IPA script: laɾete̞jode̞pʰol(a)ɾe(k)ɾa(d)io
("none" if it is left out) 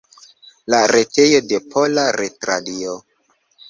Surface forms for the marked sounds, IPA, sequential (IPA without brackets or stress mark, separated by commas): a, t, d